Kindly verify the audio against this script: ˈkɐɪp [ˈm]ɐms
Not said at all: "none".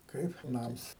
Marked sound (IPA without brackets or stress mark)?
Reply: n